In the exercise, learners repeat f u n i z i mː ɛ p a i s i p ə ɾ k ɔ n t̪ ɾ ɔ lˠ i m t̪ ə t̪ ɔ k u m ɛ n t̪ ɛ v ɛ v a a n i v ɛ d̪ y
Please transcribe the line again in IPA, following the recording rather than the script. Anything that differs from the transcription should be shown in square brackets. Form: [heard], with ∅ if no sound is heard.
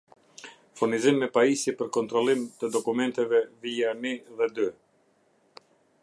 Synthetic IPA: f u n i z i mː ɛ p a i s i p ə ɾ k ɔ n t̪ ɾ ɔ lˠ i m t̪ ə [d̪] ɔ k u m ɛ n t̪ ɛ v ɛ v [i] a n i [ð] ɛ d̪ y